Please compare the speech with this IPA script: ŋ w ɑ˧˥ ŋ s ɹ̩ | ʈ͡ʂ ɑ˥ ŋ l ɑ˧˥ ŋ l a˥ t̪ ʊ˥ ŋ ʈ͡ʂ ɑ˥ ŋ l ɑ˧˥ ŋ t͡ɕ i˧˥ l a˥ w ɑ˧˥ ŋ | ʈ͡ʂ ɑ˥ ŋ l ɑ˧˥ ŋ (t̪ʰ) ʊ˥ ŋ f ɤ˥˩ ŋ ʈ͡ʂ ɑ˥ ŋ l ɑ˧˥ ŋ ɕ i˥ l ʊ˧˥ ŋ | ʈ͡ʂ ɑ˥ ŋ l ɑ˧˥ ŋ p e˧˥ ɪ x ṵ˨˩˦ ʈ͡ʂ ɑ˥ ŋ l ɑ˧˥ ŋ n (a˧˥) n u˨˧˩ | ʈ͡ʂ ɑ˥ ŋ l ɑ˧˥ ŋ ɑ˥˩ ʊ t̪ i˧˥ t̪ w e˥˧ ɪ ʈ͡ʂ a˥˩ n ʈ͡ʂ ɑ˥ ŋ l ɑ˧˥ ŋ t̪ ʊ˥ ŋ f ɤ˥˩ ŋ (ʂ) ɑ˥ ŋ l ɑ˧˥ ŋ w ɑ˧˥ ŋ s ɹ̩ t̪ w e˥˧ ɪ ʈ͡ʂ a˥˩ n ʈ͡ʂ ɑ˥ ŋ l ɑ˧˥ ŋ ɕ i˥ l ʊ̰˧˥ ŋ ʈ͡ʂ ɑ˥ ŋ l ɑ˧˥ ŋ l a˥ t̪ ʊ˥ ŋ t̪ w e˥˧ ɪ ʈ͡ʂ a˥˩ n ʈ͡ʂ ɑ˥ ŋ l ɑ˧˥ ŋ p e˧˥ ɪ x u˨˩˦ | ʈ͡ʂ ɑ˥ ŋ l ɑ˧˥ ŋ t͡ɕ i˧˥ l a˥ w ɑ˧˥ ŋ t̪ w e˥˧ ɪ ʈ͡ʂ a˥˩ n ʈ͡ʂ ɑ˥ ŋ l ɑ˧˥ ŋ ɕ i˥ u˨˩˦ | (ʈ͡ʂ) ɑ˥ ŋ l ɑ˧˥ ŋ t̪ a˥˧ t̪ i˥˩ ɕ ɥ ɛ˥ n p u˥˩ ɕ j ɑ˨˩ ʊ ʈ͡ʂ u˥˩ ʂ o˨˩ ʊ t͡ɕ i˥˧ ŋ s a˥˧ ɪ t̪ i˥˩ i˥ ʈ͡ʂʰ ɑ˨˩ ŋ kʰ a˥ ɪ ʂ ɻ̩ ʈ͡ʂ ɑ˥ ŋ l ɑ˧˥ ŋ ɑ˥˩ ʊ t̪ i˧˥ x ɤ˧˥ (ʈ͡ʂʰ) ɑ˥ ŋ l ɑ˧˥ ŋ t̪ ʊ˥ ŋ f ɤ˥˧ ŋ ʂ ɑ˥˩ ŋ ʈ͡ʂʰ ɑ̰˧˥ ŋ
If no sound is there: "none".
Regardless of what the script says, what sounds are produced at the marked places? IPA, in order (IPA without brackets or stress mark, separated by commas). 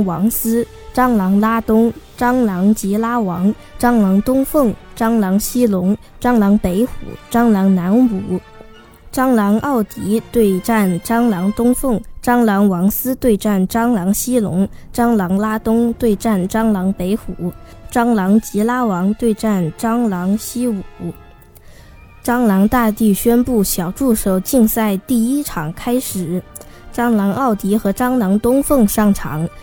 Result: t̪, a˧˥, ʈ͡ʂ, ʈ͡ʂ, ʈ͡ʂ